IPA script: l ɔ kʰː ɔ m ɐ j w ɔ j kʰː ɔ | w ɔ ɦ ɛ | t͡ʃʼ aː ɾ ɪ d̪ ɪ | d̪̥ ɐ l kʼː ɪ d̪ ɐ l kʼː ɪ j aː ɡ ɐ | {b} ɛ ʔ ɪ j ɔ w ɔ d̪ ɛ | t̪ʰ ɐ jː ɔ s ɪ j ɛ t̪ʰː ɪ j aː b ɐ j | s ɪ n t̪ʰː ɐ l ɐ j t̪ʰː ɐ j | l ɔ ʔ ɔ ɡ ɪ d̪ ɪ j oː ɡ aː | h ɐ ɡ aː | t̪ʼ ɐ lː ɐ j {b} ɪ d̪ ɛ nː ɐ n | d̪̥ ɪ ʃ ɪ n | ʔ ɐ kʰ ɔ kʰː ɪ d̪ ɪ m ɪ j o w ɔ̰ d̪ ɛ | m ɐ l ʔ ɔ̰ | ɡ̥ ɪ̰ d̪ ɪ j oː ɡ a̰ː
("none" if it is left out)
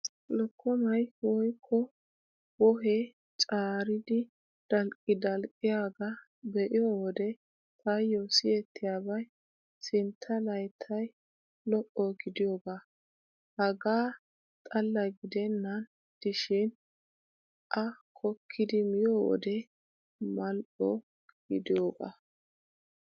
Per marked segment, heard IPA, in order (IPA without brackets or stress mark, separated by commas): b, ɡ